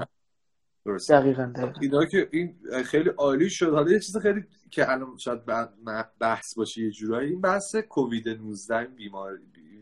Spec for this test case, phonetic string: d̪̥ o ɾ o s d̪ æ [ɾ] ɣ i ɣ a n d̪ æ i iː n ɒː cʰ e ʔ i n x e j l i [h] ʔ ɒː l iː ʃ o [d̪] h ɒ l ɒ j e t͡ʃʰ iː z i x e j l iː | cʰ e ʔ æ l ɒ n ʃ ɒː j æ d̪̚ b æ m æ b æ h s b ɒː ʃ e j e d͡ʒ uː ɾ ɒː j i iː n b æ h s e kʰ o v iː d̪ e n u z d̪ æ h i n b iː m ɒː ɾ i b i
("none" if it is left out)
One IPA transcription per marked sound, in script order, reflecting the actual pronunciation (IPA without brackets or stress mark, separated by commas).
none, none, d̪